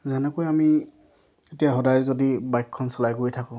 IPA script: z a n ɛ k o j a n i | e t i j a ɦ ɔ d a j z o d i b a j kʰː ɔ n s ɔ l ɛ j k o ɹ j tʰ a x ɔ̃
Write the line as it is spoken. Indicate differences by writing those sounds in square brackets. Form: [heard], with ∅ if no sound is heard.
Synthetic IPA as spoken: z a n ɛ k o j a [m] i | e t i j a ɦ ɔ d a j z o d i b a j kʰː ɔ n s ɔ l [a] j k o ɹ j tʰ a [k] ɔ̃

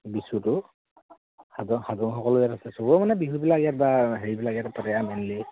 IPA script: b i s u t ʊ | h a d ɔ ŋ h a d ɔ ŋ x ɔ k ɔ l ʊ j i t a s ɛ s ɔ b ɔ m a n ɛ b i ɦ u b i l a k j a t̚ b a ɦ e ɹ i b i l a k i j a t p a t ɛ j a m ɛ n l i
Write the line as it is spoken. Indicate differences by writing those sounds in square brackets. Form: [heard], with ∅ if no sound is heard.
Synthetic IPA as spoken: b i s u t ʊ | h a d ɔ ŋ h a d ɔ ŋ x ɔ k ɔ l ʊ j [a] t a s ɛ s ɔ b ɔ m a n ɛ b i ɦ u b i l a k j a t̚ b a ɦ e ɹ i b i l a k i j a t p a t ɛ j a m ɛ n l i

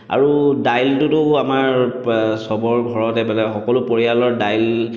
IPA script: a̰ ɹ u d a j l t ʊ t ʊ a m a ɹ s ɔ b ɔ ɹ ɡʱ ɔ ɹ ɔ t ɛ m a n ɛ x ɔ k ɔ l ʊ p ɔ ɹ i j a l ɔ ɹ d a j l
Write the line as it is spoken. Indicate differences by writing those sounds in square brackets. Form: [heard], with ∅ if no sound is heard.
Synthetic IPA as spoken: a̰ ɹ u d a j l t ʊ t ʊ a m a ɹ s ɔ b ɔ ɹ ɡʱ ɔ ɹ ɔ t ɛ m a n ɛ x ɔ k ɔ l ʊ p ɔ ɹ i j a l ɔ ɹ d a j l

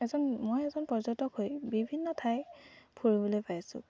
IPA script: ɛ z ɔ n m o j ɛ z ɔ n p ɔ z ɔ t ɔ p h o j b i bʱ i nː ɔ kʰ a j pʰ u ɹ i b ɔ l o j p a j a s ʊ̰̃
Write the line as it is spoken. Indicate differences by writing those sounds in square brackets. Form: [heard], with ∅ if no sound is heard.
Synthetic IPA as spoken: ɛ z ɔ n m o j ɛ z ɔ n p ɔ z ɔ t ɔ [k] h o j b i bʱ i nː ɔ [tʰ] a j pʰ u ɹ i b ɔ l o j p a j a s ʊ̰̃

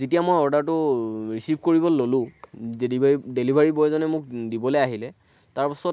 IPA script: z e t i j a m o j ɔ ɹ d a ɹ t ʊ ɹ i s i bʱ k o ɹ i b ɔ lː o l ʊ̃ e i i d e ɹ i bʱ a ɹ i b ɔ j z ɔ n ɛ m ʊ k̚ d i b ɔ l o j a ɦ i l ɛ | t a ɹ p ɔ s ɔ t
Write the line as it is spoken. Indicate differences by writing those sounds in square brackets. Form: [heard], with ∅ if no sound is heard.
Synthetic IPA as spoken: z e t i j a m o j ɔ ɹ d a ɹ t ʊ ɹ i s i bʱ k o ɹ i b ɔ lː o l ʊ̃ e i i d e [l] i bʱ a ɹ i b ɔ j z ɔ n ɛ m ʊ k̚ d i b ɔ l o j a ɦ i l ɛ | t a ɹ p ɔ s ɔ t

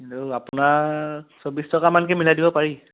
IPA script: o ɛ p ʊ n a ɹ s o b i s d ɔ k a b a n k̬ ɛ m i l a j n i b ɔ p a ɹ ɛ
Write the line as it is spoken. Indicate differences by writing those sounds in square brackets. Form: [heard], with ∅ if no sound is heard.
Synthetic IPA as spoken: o [a] p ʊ n a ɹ s o b i s [t] ɔ k a [m] a n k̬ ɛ m i l a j [d] i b ɔ p a ɹ [i]

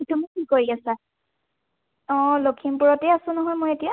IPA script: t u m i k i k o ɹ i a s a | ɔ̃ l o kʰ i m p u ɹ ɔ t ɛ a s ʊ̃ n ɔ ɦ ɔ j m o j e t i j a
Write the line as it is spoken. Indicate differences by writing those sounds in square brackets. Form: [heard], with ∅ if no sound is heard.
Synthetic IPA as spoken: t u m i k i k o ɹ i a s a | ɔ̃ l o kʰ i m p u ɹ ɔ t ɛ a s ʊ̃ n ɔ ɦ ɔ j m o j e t i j a

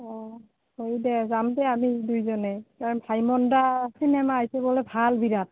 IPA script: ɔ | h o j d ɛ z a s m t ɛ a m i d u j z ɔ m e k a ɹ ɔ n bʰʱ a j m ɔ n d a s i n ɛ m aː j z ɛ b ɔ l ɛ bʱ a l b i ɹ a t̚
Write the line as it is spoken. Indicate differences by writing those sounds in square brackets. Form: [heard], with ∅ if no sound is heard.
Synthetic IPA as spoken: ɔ | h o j d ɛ z a [∅] m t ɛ a m i d u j z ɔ [n] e k a ɹ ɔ n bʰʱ a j m ɔ n d a s i n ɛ m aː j [s] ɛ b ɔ l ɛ bʱ a l b i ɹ a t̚

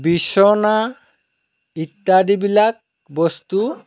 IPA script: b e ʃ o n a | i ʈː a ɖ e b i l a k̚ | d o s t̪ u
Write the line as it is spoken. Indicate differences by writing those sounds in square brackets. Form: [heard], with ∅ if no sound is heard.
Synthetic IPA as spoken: b [i] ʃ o n a | i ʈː a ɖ [i] b i l a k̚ | [b] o s t̪ u

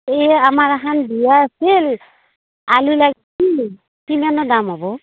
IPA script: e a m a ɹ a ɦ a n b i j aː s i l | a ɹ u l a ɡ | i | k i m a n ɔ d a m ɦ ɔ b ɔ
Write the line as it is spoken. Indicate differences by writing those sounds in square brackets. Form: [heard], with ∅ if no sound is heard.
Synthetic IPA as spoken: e a m a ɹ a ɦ a n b i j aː s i l | a [l] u l a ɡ | i | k i m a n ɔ d a m ɦ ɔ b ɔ

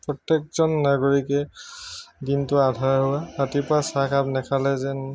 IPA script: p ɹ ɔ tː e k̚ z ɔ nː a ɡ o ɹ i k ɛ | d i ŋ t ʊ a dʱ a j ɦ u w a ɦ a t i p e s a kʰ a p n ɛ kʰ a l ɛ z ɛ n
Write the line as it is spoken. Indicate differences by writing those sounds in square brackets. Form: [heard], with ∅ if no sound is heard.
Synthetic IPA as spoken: p ɹ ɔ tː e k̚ z ɔ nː a ɡ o ɹ i k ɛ | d i [n] t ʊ a dʱ a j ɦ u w a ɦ a t i p [a] s a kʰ a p n ɛ kʰ a l ɛ z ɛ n

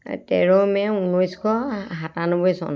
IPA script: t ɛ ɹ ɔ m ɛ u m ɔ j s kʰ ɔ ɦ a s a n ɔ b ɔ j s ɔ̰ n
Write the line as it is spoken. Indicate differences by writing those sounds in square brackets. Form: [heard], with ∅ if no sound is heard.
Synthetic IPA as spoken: t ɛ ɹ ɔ m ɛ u [n] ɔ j s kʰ ɔ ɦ a [t] a n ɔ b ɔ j s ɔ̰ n

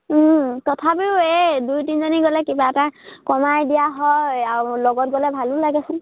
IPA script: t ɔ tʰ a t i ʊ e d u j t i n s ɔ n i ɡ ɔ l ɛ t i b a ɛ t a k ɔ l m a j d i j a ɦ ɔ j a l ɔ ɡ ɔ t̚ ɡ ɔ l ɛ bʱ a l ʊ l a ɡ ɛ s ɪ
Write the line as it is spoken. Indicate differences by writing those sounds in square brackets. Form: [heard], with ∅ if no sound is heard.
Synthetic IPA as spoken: t ɔ tʰ a [p] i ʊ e d u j t i n [z] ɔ n i ɡ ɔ l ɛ [k] i b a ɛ t a k ɔ [∅] m a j d i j a ɦ ɔ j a l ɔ ɡ ɔ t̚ ɡ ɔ l ɛ bʱ a l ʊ l a ɡ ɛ s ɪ

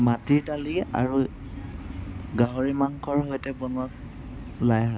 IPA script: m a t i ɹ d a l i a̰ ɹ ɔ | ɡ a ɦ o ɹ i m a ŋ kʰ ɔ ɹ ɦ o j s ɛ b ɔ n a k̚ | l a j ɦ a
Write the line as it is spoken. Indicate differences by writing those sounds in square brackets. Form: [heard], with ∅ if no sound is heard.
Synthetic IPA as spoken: m a t i ɹ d a l i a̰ ɹ [u] | ɡ a ɦ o ɹ i m a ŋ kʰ ɔ ɹ ɦ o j [t] ɛ b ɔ n a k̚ | l a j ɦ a

